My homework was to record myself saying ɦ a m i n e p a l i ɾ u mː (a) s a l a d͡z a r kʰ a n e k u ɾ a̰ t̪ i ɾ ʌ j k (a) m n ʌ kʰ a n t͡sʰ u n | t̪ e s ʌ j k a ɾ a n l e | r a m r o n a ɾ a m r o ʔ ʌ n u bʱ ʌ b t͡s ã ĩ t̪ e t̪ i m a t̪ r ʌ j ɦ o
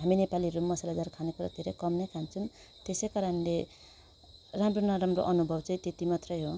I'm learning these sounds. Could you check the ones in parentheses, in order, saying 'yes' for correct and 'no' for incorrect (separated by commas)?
no, no